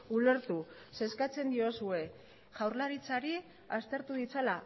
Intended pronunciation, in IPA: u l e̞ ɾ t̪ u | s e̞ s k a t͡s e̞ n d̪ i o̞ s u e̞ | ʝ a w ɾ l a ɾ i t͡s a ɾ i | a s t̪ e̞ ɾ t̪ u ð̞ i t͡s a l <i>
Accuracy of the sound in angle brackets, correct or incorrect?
incorrect